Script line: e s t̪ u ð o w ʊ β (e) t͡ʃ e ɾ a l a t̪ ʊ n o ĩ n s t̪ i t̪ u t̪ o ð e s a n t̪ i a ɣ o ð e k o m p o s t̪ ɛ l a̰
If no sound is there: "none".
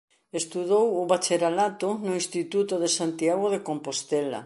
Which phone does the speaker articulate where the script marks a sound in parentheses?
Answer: a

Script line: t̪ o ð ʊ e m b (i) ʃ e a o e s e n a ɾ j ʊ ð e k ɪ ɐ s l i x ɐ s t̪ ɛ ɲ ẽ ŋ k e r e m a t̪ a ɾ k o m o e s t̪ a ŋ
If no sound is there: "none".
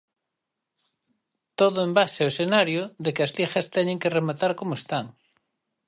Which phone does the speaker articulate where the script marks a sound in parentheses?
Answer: a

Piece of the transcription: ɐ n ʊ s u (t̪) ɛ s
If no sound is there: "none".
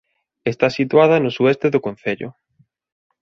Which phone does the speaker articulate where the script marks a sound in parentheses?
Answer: none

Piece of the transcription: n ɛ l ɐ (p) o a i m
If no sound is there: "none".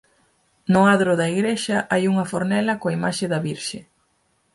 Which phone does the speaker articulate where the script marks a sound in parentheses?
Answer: k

